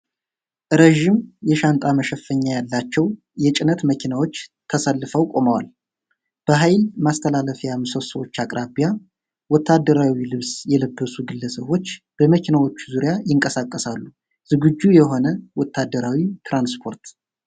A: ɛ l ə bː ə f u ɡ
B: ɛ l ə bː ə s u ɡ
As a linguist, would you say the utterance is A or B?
B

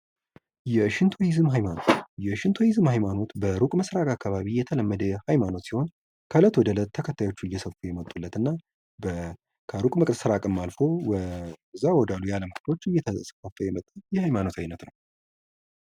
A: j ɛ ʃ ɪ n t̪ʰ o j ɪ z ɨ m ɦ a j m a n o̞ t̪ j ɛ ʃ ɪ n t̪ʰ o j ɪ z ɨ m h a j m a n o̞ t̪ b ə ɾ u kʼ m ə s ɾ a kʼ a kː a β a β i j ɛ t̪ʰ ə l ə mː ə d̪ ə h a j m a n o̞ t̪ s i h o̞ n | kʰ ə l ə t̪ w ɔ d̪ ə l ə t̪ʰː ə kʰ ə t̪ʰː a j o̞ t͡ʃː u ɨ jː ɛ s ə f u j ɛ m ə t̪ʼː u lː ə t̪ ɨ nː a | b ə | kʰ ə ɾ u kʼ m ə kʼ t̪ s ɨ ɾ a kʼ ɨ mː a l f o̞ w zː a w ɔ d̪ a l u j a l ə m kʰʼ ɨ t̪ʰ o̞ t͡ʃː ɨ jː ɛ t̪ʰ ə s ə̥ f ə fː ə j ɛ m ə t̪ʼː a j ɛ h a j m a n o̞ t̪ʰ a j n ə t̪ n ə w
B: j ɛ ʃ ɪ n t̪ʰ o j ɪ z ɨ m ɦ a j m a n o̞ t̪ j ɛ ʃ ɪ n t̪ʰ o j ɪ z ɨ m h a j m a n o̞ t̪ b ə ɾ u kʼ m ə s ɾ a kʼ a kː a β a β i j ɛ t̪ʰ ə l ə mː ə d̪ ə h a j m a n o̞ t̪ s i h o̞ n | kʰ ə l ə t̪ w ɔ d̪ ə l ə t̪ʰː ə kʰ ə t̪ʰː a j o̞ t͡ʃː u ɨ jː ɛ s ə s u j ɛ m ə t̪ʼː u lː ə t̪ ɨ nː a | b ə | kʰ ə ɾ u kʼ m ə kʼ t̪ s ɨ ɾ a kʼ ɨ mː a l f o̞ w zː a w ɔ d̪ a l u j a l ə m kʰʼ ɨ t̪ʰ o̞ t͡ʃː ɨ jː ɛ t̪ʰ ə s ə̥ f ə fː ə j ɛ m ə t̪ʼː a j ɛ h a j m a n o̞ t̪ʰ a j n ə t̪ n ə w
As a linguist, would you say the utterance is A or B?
A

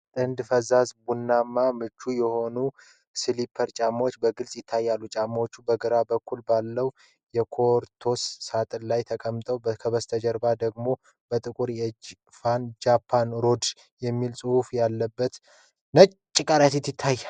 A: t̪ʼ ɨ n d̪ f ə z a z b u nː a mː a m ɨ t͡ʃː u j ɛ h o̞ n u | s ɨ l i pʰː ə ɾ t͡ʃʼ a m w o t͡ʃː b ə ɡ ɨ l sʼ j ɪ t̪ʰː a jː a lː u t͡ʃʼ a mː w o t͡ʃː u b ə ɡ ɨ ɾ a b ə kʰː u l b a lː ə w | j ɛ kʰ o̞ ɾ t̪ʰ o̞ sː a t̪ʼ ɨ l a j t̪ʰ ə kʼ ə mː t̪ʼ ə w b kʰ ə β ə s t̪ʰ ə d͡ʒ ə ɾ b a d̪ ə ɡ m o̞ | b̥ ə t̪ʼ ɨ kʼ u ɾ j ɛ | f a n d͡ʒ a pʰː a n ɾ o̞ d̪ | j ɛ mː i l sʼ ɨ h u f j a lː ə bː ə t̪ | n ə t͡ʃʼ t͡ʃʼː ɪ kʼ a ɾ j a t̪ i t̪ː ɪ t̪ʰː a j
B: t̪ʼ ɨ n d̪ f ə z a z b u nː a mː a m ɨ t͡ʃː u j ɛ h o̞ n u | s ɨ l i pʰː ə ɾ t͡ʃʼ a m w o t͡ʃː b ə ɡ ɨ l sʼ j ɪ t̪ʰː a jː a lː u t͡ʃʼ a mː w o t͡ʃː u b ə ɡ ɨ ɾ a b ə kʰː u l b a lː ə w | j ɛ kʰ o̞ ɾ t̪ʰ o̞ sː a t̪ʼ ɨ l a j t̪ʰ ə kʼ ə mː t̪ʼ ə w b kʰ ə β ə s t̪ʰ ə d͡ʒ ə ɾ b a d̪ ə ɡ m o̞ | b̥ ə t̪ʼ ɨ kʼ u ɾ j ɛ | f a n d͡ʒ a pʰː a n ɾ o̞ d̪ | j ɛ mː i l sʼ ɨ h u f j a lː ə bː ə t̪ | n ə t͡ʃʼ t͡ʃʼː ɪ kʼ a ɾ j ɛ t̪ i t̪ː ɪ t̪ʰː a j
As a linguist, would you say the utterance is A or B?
A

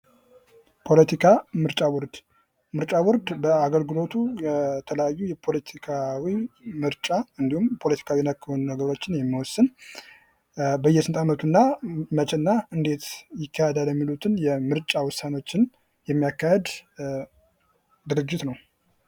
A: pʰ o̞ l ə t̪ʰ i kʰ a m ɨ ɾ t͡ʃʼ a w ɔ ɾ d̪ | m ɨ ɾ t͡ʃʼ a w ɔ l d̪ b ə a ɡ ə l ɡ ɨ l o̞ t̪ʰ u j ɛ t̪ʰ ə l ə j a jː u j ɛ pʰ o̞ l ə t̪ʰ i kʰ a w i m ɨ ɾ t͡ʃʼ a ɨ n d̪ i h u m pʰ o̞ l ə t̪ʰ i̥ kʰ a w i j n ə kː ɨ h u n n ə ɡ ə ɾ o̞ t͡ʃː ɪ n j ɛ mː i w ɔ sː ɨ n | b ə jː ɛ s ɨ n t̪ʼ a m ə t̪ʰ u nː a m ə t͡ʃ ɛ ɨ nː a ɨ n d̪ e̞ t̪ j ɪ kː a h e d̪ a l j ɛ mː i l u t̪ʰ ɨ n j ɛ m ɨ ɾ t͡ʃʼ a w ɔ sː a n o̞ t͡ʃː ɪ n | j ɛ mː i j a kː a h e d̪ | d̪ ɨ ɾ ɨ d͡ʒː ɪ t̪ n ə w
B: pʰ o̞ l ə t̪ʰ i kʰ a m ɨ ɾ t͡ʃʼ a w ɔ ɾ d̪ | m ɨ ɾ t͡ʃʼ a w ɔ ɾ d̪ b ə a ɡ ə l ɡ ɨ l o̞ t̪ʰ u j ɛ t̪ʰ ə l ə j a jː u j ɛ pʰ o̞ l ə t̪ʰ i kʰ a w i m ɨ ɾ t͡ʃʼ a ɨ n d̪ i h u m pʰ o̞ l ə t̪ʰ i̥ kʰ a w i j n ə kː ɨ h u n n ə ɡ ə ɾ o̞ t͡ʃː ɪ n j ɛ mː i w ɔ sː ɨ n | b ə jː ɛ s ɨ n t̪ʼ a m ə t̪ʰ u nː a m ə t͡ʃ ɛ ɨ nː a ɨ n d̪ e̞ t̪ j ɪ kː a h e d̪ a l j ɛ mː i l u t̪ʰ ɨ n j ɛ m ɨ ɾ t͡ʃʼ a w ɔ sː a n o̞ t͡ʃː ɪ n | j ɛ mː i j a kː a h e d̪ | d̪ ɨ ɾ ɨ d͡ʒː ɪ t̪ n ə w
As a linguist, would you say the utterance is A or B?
B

